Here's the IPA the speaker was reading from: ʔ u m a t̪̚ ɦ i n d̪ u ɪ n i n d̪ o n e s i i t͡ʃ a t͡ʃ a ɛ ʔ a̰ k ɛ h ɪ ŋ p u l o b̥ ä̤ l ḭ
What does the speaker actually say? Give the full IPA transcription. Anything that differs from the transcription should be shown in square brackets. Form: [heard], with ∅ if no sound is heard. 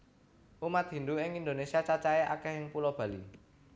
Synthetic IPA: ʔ u m a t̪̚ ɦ i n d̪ u ɪ [ŋ] i n d̪ o n e s i [a] t͡ʃ a t͡ʃ a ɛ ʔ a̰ k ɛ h ɪ ŋ p u l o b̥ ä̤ l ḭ